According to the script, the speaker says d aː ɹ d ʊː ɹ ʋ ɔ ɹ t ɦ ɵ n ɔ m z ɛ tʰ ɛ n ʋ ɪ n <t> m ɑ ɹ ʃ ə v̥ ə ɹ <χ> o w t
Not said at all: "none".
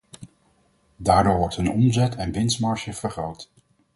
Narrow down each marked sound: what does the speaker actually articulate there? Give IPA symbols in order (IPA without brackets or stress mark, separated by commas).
s, χ